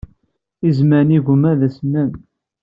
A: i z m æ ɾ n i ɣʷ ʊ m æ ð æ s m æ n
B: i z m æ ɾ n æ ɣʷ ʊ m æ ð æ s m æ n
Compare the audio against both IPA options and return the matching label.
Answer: A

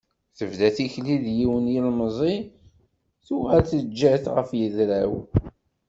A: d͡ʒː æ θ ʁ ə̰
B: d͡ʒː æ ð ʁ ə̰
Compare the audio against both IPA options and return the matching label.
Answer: A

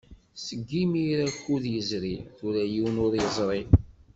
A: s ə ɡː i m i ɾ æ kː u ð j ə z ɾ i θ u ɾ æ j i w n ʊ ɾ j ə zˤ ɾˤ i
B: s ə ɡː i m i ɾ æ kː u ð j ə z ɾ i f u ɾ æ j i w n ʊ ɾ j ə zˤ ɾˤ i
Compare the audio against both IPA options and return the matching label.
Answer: A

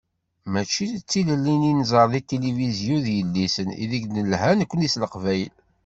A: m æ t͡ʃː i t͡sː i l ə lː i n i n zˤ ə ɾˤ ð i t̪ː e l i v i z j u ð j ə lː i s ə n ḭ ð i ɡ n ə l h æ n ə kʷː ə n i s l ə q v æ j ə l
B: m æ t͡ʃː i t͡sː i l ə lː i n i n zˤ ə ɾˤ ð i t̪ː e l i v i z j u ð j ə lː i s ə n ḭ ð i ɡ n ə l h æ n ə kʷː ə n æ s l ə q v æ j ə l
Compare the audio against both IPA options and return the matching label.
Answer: A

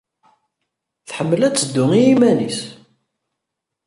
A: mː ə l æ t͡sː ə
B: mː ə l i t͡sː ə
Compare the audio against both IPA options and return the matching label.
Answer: A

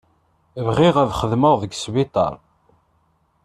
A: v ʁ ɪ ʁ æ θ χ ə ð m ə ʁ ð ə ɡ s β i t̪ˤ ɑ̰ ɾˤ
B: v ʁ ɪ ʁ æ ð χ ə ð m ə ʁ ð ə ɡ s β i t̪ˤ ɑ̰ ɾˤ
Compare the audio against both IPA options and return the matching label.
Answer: B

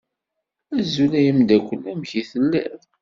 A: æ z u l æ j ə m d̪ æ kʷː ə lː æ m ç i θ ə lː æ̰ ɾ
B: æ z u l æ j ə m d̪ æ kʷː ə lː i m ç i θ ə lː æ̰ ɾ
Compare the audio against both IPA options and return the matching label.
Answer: A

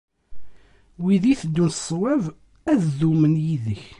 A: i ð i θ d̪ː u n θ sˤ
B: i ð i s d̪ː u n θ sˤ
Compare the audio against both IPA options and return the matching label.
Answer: A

